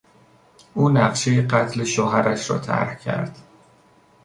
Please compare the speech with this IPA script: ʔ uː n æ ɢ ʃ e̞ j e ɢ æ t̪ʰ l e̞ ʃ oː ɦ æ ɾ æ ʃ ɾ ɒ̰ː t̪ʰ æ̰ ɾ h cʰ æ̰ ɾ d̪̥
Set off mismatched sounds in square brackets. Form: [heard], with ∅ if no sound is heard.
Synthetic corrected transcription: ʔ uː n æ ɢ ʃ e̞ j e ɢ æ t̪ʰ l e̞ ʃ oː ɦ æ ɾ æ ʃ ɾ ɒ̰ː t̪ʰ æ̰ ɾ h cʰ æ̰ ɾ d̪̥

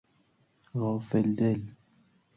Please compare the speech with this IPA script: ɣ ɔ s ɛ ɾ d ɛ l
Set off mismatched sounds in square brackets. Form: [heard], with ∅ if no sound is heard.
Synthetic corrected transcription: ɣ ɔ [f] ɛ [l] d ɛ l

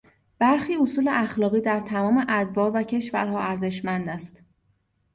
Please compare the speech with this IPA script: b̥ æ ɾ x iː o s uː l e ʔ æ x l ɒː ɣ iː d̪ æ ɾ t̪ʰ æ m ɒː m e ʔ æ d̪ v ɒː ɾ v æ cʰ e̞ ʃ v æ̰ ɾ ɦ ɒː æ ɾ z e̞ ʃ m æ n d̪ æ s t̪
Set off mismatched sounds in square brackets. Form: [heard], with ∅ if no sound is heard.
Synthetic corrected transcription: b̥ æ ɾ x iː o s uː l e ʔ æ x l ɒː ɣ iː d̪ æ ɾ t̪ʰ æ m ɒː m e ʔ æ d̪ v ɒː ɾ v æ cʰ e̞ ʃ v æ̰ ɾ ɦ ɒː æ ɾ z e̞ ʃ m æ n d̪ æ s t̪

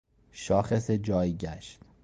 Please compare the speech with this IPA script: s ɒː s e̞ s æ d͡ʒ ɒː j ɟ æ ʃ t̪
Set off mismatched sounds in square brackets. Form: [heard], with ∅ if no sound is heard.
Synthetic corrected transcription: [ʃ] ɒː [x] e̞ s [e] d͡ʒ ɒː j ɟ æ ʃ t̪

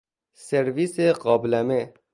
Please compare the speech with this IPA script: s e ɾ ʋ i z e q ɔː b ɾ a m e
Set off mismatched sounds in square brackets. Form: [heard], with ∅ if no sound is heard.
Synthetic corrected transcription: s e ɾ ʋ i [s] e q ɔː b [l] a m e

